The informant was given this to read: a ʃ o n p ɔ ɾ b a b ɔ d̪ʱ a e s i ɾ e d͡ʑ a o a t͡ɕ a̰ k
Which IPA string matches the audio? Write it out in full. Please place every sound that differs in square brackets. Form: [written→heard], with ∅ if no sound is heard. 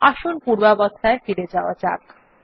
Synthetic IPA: a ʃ o n p [ɔ→u] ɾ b a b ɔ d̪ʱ a e [s→f] i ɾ e d͡ʑ a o a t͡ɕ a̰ k